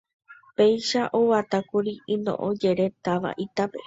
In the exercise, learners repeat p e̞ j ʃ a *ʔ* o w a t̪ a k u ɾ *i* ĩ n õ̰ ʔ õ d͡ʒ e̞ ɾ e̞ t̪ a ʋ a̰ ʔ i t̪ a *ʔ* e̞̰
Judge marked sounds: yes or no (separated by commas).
yes, yes, no